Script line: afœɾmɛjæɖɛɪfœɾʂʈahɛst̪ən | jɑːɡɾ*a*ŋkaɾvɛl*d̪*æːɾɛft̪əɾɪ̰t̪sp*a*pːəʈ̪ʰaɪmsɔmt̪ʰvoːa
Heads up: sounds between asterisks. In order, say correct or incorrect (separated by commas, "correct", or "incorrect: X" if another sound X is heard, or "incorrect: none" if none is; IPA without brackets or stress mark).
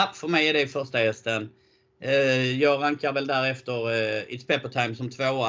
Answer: correct, correct, incorrect: ɛ